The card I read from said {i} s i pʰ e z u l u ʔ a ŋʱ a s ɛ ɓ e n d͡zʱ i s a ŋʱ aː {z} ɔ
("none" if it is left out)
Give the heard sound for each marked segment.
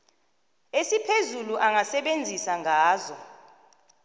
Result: e, z

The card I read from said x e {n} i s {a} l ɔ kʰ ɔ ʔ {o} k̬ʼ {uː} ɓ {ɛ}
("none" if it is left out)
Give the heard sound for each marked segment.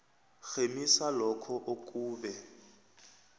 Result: m, a, o, uː, ɛ

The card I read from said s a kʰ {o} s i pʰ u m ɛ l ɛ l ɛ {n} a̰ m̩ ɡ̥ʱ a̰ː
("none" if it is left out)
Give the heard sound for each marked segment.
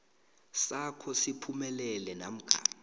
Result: ɔ, n

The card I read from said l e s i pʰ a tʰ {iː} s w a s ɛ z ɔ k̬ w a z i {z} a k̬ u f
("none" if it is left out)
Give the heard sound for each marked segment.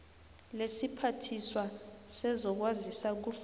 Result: i, s

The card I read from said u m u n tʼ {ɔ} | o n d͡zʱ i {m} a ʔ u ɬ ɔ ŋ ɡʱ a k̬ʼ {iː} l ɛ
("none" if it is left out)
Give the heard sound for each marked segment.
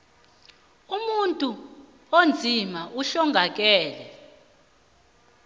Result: u, m, ɛː

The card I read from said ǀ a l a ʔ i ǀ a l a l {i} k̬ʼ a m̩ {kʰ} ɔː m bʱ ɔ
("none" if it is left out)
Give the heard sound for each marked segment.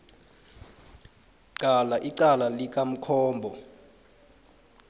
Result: i, kʰ

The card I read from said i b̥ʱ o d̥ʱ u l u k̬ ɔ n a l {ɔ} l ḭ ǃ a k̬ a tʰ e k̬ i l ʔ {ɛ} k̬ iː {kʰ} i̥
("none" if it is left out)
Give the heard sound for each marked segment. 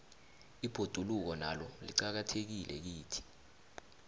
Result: ɔ, ɛ, tʰ

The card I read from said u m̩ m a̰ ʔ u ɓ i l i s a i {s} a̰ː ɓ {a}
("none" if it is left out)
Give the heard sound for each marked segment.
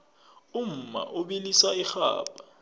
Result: x, a

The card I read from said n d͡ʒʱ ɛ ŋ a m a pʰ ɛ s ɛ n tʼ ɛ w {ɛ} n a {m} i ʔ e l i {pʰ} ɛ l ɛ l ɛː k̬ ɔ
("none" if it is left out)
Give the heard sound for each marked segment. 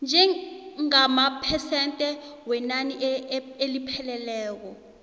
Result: ɛ, n, pʰ

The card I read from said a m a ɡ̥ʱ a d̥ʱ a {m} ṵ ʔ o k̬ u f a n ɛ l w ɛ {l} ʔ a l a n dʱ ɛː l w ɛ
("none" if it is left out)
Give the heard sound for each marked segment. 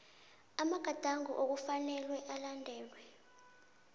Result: ŋ, none

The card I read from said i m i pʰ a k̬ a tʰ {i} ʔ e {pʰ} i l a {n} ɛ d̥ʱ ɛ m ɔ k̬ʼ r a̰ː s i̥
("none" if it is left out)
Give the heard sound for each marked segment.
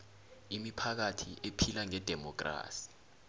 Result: i, pʰ, ŋ

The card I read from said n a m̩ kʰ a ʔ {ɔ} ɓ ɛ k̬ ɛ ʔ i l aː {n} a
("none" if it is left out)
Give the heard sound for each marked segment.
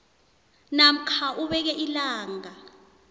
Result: u, ŋ

